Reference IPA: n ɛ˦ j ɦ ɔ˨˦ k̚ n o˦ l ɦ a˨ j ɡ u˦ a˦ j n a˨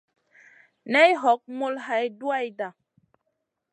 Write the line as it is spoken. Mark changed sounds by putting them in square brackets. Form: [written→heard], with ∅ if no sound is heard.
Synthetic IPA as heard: n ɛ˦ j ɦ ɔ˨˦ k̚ [n→m] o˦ l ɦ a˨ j [ɡ→d] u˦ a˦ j [n→d] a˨